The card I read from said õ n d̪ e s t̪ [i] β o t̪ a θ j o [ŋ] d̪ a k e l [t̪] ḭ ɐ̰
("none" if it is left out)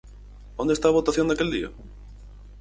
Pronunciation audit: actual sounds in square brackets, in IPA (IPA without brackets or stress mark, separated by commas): a, n, d̪